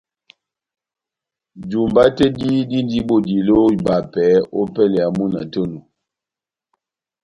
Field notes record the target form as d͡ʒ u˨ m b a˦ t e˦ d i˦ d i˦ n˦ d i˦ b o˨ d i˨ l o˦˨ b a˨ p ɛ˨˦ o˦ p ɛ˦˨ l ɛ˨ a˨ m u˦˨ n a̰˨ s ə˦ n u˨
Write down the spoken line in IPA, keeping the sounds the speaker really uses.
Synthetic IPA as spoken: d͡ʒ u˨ m b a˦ t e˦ d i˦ d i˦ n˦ d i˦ b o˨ d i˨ l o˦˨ b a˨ p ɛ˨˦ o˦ p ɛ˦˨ l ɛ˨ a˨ m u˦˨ n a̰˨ t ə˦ n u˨